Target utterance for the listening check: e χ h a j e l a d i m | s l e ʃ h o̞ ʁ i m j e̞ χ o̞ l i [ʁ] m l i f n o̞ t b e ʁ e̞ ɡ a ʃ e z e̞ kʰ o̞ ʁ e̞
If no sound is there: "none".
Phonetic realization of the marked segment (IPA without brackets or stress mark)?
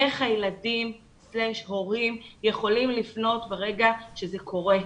none